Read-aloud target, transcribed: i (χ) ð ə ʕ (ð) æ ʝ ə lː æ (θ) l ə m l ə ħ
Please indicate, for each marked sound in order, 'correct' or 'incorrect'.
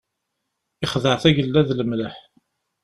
correct, incorrect: θ, incorrect: ð

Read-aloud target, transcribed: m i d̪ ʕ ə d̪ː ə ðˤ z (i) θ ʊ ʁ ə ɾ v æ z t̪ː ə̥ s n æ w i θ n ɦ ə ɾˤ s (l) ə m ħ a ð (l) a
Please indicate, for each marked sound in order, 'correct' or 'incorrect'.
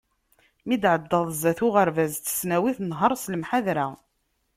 incorrect: æ, correct, incorrect: ɾ

